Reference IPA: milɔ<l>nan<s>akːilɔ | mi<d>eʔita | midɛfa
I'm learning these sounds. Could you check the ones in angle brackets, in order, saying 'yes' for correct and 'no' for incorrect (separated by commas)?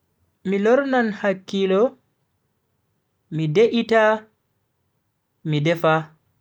no, no, yes